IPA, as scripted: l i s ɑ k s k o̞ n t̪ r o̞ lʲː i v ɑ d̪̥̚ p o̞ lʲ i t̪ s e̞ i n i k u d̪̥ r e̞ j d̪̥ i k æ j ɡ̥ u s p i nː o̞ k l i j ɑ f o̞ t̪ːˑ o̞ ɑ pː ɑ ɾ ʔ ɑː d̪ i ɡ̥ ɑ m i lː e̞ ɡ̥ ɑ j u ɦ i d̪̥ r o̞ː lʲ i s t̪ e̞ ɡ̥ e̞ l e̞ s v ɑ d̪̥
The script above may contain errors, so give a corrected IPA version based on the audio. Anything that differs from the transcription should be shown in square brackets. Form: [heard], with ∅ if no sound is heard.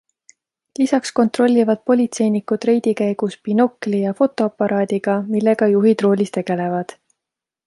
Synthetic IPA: l i s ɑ k s k o̞ n t̪ r o̞ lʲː i v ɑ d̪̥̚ p o̞ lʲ i t̪ s e̞ [j] n i k u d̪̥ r e̞ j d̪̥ i k æ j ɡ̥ u s p i [n] o̞ k l i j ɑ f o̞ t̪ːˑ o̞ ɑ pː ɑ ɾ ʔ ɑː d̪ i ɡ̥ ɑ m i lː e̞ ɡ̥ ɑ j u ɦ i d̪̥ r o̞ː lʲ i s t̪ e̞ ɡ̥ e̞ l e̞ [∅] v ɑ d̪̥